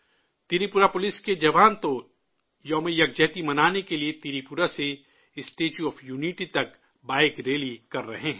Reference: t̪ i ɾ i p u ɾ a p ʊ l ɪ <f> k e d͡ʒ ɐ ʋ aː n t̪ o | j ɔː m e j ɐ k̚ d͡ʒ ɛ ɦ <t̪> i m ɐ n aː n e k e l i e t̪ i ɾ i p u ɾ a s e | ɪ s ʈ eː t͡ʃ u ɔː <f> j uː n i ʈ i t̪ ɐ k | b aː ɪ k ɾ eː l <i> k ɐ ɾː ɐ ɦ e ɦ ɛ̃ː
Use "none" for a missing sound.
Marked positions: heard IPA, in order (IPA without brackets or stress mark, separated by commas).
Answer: s, t̪, f, i